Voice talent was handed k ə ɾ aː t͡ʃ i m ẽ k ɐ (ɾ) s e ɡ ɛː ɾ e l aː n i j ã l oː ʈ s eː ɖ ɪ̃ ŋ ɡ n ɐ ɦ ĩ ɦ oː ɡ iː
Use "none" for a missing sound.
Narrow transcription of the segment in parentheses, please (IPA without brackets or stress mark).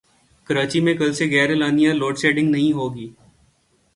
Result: l